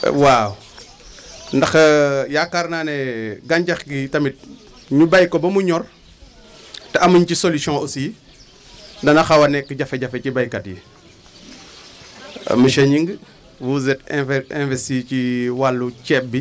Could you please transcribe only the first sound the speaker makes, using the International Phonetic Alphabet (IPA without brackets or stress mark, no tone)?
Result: w